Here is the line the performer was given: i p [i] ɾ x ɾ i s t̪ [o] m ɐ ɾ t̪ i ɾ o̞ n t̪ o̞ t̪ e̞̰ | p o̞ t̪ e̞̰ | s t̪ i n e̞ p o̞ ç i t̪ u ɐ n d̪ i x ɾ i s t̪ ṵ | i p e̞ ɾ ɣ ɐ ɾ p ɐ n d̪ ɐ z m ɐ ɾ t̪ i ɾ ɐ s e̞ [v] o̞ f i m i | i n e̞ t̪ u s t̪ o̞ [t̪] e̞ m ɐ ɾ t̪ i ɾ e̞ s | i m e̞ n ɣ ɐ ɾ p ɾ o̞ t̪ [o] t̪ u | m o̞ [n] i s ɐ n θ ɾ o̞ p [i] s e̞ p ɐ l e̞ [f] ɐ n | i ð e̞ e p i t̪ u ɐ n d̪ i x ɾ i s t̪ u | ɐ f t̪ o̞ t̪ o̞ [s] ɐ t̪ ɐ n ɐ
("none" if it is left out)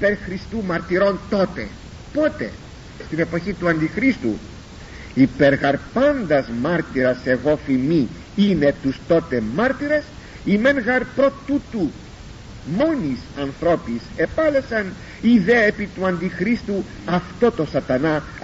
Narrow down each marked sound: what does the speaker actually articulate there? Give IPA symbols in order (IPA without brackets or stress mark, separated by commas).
e, u, ɣ, t̪, u, n, i, s, s